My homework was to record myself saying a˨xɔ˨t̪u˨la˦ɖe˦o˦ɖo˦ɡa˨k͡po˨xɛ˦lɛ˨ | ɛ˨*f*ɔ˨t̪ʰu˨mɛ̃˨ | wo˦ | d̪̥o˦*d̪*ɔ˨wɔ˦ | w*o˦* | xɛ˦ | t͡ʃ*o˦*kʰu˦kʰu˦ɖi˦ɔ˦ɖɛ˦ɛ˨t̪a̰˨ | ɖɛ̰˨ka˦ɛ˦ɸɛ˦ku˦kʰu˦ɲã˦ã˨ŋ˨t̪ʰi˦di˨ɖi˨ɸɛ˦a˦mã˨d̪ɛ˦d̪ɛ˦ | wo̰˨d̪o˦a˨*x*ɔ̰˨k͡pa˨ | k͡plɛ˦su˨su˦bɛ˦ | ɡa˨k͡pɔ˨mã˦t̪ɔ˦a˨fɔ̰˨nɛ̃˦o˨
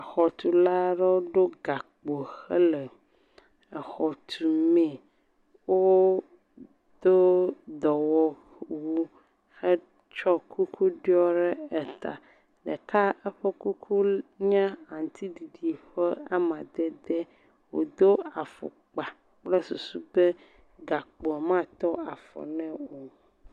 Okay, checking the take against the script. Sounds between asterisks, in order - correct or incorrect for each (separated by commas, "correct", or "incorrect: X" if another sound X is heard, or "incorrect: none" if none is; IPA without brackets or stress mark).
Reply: incorrect: x, correct, incorrect: u˦, incorrect: ɔ˦, incorrect: f